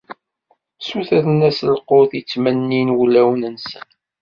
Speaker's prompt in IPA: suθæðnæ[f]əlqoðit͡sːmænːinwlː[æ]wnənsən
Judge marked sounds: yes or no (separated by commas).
no, yes